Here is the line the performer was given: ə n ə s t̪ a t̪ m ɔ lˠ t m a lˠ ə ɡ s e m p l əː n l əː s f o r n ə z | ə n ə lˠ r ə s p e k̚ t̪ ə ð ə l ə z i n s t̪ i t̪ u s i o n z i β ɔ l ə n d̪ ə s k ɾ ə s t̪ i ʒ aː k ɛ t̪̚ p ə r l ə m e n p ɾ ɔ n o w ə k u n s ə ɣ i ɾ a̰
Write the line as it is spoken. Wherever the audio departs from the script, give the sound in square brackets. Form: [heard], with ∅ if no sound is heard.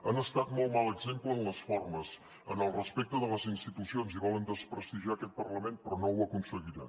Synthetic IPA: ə n ə s t̪ a t̪ m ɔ lˠ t m a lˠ ə ɡ [z] e m p l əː n l [ə] s f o r [m] ə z | ə n ə lˠ r ə s p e k̚ t̪ ə ð ə l ə z i n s t̪ i t̪ u s i o n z i β ɔ l ə n d̪ ə s [p] ɾ ə s t̪ i ʒ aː k ɛ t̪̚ p ə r l ə m e n p ɾ ɔ n o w ə k u n s ə ɣ i ɾ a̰